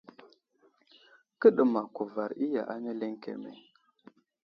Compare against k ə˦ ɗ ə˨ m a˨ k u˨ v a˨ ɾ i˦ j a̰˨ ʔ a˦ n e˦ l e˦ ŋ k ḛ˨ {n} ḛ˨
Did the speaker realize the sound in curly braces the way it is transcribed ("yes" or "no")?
no